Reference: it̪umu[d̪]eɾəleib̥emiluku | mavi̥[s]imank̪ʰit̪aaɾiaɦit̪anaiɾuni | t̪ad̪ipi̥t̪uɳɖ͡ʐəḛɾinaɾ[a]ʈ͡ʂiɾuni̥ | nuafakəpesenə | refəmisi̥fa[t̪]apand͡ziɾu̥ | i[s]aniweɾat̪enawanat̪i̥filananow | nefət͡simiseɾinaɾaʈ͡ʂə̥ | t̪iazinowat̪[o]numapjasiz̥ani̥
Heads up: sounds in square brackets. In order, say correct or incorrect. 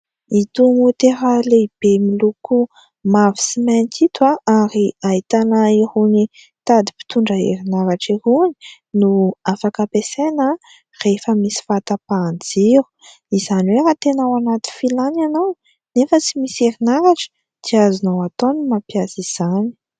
incorrect, correct, correct, correct, incorrect, correct

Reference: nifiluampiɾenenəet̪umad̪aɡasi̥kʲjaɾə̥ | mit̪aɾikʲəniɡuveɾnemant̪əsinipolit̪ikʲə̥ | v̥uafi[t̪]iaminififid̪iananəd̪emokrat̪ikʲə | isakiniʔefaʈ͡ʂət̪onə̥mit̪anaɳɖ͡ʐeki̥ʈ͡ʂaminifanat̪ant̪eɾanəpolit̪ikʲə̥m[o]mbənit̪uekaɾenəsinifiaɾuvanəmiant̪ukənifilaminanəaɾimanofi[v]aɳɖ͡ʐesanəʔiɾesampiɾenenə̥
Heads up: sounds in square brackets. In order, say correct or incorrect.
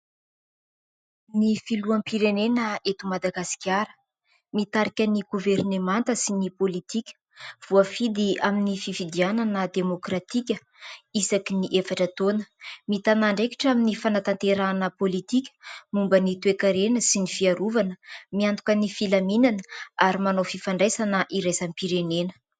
incorrect, incorrect, incorrect

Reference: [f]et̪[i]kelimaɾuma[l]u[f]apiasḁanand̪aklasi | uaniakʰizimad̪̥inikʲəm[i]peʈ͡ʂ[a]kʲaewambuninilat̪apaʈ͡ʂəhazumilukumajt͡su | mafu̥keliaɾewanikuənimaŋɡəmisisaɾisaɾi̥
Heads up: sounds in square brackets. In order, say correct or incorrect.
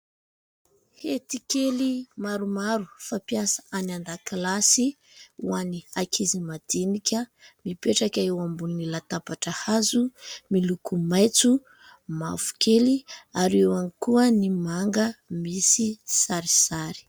incorrect, correct, incorrect, correct, correct, correct

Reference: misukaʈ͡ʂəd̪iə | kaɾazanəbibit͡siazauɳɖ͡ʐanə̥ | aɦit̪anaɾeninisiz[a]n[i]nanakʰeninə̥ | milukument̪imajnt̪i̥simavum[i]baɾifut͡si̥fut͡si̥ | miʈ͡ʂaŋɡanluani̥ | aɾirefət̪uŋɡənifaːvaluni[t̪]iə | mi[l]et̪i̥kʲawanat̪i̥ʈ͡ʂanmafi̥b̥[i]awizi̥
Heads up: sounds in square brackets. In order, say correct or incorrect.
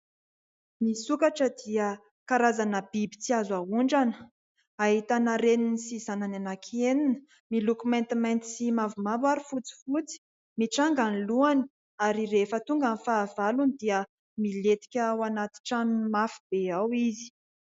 correct, incorrect, incorrect, incorrect, correct, incorrect

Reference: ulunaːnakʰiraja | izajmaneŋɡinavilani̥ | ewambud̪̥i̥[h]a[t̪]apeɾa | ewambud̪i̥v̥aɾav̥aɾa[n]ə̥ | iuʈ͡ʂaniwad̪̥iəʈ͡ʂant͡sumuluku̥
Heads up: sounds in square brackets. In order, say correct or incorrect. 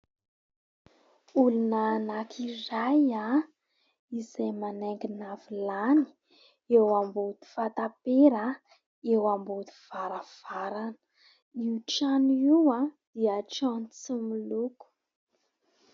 incorrect, correct, correct

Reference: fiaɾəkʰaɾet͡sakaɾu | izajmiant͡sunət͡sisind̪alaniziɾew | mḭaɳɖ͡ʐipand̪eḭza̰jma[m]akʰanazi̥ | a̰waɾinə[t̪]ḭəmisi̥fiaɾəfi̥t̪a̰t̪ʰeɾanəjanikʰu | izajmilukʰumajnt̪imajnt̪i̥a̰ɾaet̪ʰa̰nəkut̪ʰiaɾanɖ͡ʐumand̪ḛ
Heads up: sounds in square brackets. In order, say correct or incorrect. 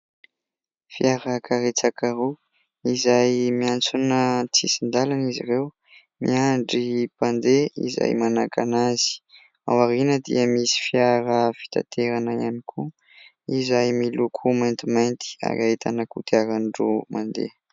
incorrect, incorrect

